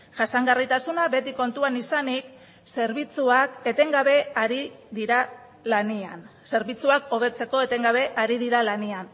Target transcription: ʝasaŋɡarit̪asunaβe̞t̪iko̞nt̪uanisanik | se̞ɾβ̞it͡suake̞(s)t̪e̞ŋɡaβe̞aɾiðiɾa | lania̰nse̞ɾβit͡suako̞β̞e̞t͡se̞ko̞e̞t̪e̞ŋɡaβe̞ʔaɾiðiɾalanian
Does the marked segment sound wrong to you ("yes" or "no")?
yes